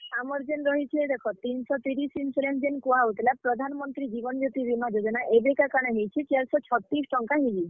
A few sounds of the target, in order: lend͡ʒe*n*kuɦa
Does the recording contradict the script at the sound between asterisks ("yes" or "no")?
no